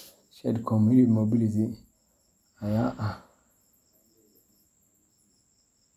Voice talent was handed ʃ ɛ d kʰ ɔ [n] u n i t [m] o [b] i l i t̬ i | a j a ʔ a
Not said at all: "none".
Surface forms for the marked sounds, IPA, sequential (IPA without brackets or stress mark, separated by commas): m, m, b